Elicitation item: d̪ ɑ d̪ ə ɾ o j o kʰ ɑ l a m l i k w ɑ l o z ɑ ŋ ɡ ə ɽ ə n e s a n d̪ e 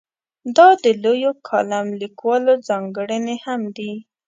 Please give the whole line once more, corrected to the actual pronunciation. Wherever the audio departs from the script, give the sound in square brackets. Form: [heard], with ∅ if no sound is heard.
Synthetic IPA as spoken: d̪ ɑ d̪ ə [l] o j o kʰ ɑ l a m l i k w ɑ l o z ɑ ŋ ɡ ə ɽ ə n e [h] a [m] d̪ [i]